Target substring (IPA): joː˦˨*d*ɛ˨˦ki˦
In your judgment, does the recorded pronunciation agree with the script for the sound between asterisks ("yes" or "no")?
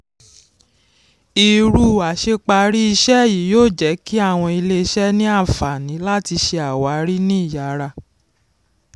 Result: no